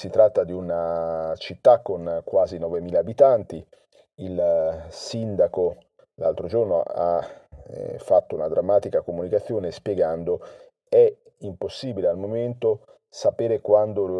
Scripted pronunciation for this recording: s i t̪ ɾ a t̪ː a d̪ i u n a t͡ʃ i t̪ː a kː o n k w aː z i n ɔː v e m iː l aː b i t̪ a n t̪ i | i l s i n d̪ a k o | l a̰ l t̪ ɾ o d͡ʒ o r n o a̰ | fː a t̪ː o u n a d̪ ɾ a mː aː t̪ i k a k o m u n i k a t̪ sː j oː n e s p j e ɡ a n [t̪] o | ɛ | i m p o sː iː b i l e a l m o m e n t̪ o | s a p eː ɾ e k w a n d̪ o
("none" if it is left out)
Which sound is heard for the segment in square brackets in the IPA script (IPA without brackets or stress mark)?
d̪